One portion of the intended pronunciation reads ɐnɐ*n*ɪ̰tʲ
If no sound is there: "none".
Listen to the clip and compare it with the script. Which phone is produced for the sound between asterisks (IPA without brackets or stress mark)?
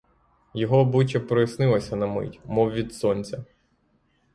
m